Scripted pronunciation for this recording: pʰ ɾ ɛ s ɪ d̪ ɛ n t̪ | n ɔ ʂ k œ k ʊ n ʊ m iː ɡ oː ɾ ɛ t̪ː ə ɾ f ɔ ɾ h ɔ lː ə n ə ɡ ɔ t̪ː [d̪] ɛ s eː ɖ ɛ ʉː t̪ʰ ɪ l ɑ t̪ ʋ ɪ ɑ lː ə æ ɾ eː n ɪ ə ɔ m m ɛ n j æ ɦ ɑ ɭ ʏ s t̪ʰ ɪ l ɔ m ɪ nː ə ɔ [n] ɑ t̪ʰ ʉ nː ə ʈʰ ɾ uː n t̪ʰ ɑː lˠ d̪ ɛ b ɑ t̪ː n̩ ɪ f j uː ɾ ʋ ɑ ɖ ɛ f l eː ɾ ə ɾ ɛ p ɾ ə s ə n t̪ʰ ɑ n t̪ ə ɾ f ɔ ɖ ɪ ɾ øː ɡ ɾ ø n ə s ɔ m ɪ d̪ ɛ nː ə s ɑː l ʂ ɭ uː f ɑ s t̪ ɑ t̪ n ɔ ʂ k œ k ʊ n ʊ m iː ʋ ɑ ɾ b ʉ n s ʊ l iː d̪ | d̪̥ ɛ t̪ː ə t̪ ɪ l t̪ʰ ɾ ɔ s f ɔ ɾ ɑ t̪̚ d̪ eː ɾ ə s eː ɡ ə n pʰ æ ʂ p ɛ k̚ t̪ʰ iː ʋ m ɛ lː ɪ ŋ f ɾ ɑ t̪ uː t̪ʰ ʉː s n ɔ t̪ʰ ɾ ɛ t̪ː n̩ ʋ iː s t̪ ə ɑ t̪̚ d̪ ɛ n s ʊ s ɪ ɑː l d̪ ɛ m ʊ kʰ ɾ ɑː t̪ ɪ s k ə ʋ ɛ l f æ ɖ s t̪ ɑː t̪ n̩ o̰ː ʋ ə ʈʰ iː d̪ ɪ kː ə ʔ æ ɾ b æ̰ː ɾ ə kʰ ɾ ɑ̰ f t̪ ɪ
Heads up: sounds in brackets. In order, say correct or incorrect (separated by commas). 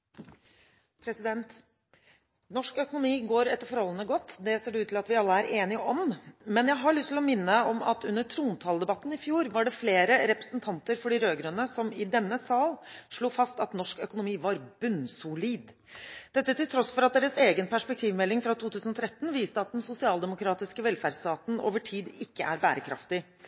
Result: correct, incorrect